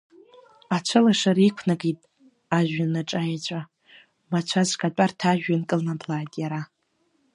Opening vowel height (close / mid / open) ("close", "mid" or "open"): open